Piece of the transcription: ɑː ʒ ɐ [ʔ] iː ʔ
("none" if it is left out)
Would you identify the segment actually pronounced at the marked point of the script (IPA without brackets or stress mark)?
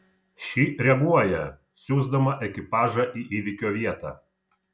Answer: ʔ